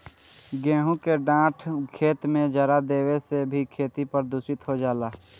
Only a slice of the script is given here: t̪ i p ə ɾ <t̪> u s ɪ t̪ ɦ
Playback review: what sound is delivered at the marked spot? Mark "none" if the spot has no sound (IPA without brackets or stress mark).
d̪